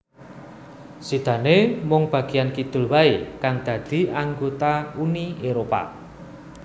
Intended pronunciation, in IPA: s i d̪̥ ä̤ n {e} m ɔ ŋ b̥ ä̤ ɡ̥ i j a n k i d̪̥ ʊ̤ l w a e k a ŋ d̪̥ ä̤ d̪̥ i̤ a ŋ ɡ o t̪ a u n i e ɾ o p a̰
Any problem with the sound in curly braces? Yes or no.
no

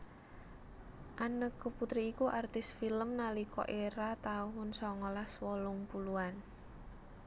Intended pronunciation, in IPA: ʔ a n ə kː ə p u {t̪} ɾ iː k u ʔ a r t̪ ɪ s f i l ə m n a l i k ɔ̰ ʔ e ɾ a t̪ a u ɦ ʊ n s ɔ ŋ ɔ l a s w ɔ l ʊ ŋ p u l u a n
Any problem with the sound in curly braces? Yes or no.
no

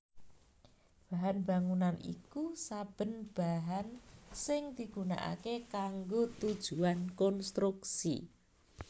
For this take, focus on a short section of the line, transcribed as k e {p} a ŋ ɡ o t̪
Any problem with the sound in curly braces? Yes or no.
yes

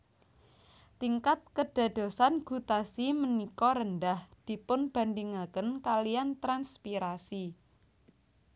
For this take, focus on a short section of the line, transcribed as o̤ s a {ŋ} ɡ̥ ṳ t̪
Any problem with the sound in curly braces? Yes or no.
yes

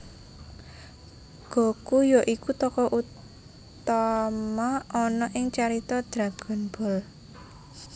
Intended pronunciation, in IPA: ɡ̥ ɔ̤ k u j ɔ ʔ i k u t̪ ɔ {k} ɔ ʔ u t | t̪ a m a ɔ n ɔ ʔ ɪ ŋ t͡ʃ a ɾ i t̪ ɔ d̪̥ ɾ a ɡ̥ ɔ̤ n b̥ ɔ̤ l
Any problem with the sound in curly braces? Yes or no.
no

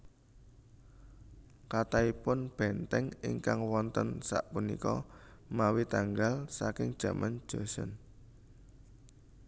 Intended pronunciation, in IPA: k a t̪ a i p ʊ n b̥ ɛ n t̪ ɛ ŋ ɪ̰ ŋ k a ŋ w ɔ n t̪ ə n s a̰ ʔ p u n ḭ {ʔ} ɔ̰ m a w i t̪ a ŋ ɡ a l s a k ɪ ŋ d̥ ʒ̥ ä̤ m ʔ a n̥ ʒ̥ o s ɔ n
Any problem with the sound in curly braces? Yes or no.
yes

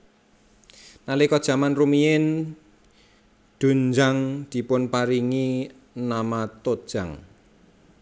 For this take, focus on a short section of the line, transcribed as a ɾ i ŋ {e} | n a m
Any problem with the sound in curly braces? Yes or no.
yes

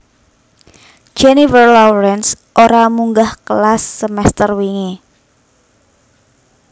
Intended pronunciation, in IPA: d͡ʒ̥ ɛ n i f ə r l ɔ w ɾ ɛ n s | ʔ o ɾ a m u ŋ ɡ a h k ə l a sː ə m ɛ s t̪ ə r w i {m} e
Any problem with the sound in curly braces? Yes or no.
yes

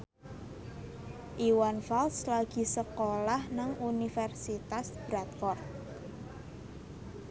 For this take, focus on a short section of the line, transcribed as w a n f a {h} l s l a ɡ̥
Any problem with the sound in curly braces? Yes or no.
yes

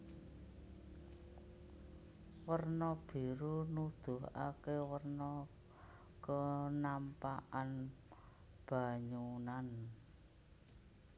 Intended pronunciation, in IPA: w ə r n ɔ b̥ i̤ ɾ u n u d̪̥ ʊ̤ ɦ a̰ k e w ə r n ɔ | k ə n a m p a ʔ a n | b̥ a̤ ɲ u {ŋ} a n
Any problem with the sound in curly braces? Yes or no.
yes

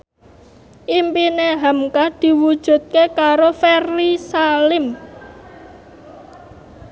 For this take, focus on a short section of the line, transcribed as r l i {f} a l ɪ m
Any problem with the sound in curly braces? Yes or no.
yes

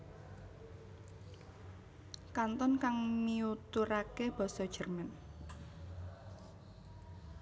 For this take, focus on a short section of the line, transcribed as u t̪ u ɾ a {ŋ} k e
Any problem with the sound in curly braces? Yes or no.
yes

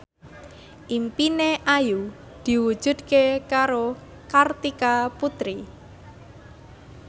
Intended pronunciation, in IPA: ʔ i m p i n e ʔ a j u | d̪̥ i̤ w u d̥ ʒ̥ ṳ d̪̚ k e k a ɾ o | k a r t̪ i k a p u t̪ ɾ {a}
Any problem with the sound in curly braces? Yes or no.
yes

